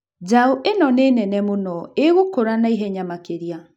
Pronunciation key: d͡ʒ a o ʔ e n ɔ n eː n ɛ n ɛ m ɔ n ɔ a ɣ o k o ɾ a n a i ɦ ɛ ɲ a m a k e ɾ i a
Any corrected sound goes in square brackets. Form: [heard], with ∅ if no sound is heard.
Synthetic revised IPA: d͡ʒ a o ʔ e n ɔ n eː n ɛ n ɛ m [o] n ɔ [e] ɣ o k o ɾ a n a i ɦ ɛ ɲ a m a k e ɾ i a